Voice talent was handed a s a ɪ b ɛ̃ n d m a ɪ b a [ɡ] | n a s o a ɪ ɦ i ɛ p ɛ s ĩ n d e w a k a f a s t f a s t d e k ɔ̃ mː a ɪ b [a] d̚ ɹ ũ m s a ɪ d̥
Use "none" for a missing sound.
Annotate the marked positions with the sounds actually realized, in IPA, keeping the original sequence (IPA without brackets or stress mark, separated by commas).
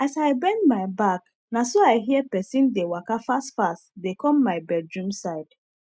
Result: k, ɛ